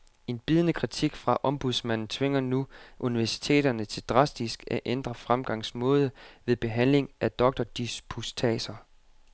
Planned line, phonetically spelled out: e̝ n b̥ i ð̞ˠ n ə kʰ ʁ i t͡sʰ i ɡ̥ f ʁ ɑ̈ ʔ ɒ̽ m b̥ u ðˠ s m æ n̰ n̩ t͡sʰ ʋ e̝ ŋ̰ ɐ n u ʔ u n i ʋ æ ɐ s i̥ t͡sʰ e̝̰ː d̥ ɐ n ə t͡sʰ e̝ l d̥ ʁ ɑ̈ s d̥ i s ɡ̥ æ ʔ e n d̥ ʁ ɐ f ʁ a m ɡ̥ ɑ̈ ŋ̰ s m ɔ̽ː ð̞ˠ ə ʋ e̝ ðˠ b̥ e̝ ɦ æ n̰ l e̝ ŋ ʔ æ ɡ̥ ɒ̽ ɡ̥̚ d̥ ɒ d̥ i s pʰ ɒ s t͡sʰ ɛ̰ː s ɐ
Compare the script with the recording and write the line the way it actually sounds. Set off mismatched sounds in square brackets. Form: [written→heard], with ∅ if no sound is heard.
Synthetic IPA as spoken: e̝ n b̥ i ð̞ˠ n ə kʰ ʁ i t͡sʰ i ɡ̥ f ʁ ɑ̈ ʔ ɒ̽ m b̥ u ðˠ s m æ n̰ n̩ t͡sʰ ʋ e̝ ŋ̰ ɐ n u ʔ u n i ʋ æ ɐ s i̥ t͡sʰ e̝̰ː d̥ ɐ n ə t͡sʰ e̝ l d̥ ʁ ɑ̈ s d̥ i s ɡ̥ æ ʔ e n d̥ ʁ ɐ f ʁ a m ɡ̥ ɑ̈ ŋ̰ s m ɔ̽ː ð̞ˠ ə ʋ e̝ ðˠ b̥ e̝ ɦ æ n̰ l e̝ ŋ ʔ æ [ɡ̥→d̥] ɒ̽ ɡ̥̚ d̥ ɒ d̥ i s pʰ [ɒ→u] s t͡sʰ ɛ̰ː s ɐ